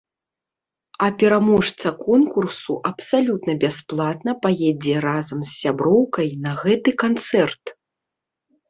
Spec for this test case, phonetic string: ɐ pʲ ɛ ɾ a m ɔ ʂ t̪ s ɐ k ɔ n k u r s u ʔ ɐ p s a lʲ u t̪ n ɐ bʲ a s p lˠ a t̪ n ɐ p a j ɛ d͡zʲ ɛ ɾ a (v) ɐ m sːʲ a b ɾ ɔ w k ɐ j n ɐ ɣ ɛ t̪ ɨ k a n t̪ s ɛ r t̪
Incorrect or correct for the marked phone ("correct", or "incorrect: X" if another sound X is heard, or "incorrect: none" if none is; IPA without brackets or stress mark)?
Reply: incorrect: z